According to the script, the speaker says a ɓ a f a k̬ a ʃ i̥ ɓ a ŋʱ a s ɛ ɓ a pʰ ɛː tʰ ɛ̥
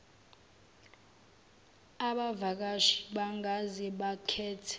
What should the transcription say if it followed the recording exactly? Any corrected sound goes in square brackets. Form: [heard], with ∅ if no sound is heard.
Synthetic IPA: a ɓ a [v] a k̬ a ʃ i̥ ɓ a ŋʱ a [z] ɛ ɓ a [kʰ] ɛː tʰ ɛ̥

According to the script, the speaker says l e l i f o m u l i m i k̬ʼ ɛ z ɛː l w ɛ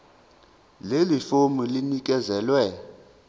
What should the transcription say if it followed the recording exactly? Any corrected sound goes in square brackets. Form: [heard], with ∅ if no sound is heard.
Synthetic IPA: l e l i f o m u l i [n] i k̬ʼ ɛ z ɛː l w ɛ

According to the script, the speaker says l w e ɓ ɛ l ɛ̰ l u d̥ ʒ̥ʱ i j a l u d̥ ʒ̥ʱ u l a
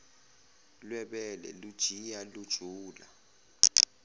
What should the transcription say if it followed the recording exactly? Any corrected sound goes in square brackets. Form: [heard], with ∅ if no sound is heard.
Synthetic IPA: l w [ɛ] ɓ ɛ l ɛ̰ l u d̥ ʒ̥ʱ i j a l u d̥ ʒ̥ʱ [uː] l a

